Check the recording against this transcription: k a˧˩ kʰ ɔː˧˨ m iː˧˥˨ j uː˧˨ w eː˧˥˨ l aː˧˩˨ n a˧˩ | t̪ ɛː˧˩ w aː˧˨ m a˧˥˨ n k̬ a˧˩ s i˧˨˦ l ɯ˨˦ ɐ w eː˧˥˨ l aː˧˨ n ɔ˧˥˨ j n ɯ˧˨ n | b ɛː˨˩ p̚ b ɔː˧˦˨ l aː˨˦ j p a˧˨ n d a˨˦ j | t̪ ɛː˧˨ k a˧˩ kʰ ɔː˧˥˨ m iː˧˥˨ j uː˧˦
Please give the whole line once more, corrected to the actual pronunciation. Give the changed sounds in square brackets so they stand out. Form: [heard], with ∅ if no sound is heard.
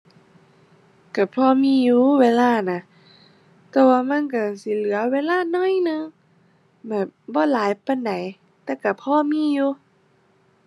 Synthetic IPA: k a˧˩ [pʰ] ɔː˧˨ m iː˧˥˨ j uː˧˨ w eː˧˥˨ l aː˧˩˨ n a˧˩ | t̪ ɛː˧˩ w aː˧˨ m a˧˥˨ n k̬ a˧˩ s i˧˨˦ l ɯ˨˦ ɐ w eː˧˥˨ l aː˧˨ n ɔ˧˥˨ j n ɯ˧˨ [ŋ] | b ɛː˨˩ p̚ b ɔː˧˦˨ l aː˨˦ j p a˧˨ n d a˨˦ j | t̪ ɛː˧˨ k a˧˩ [pʰ] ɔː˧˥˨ m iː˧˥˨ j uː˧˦